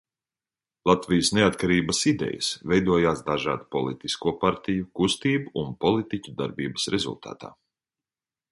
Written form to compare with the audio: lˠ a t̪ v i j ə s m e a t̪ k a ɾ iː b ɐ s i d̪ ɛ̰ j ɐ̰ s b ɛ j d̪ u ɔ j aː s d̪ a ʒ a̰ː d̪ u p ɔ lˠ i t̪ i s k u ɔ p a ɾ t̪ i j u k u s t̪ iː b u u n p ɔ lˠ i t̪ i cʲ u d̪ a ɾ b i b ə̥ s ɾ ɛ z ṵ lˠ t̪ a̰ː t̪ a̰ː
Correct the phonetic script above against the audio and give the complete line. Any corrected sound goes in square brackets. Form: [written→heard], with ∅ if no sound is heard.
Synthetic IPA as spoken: lˠ a t̪ v i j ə s [m→n] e a t̪ k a ɾ iː b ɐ s i d̪ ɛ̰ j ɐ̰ s [b→v] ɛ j d̪ u ɔ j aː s d̪ a ʒ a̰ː d̪ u p ɔ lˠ i t̪ i s k u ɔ p a ɾ t̪ i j u k u s t̪ iː b u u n p ɔ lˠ i t̪ i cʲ u d̪ a ɾ b [i→iː] b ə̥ s ɾ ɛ z ṵ lˠ t̪ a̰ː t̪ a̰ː